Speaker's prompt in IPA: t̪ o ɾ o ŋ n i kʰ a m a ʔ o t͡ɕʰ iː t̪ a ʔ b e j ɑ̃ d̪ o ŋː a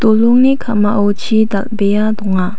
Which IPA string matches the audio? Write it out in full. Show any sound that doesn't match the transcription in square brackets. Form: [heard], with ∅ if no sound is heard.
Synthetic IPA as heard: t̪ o [l] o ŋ n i kʰ a m a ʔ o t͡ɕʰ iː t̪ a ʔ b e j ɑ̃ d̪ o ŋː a